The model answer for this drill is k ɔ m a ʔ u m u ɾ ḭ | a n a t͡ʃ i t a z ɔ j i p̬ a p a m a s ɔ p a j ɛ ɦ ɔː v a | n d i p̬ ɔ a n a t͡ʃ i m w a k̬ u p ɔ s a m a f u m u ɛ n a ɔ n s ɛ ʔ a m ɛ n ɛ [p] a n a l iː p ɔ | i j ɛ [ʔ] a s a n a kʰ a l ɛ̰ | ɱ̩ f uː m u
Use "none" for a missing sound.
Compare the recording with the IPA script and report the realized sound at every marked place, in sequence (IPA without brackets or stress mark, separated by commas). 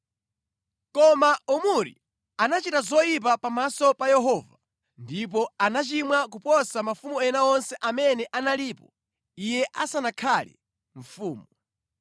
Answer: ʔ, ʔ